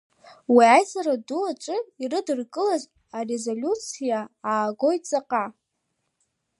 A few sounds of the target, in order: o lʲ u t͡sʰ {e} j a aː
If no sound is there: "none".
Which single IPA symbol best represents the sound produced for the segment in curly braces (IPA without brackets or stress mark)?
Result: i